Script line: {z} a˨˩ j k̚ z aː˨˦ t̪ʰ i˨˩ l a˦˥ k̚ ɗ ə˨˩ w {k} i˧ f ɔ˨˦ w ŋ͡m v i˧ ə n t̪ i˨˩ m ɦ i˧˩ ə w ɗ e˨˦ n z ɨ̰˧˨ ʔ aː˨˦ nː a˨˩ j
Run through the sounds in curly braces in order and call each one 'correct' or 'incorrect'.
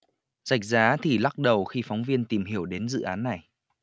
correct, incorrect: x

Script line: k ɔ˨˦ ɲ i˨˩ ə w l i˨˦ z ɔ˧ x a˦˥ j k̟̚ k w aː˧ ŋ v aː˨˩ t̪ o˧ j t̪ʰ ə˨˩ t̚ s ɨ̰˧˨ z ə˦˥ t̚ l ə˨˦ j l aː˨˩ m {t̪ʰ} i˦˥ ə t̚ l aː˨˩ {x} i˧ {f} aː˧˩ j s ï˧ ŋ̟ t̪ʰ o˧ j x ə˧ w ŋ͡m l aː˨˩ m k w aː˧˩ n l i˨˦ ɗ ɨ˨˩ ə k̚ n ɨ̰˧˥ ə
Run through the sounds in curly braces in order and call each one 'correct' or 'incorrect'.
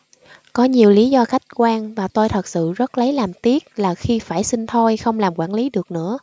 incorrect: t̪, correct, correct

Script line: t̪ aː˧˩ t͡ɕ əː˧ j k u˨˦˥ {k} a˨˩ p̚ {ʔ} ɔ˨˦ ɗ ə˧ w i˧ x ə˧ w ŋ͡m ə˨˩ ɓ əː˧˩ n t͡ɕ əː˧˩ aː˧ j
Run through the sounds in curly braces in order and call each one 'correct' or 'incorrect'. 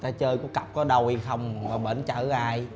correct, incorrect: k

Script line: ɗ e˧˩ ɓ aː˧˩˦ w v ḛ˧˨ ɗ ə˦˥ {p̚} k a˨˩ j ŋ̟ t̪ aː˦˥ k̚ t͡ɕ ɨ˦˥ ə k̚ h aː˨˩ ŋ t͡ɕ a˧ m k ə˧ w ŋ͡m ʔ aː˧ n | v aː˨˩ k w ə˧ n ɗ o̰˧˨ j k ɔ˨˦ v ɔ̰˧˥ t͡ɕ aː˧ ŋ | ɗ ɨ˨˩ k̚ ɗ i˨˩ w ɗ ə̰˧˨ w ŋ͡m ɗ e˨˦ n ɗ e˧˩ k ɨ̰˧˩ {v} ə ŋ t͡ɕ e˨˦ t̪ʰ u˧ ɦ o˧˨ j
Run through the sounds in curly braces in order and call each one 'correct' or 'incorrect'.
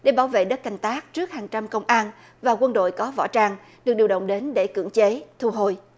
incorrect: t̚, incorrect: none

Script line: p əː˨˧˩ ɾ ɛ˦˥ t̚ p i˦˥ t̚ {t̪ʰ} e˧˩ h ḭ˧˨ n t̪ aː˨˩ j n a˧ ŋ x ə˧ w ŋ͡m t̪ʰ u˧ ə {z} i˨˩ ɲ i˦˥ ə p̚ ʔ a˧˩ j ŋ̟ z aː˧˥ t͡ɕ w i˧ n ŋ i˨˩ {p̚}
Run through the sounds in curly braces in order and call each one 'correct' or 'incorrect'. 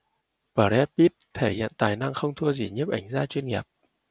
correct, correct, correct

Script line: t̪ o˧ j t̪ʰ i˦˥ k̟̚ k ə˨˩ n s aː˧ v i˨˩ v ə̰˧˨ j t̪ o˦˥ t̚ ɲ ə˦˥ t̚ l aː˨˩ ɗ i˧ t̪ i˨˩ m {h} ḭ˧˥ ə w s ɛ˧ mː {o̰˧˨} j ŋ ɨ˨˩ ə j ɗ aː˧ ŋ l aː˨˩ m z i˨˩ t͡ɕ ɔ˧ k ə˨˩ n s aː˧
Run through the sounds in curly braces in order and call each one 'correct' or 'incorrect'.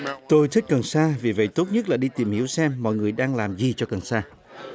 correct, incorrect: ɔ̰˧˨

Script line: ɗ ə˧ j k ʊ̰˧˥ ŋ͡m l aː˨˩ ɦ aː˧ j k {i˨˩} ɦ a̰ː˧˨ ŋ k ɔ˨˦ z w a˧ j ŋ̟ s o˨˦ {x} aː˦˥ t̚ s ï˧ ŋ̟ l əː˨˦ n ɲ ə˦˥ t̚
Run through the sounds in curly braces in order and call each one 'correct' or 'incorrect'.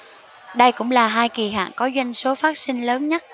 correct, incorrect: f

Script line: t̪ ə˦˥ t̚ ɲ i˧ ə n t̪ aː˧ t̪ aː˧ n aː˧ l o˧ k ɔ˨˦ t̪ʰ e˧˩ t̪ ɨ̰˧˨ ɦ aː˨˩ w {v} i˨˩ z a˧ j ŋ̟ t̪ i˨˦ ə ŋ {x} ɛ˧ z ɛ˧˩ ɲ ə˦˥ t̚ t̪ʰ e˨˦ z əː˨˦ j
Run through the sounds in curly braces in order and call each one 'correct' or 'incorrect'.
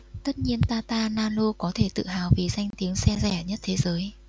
correct, incorrect: s

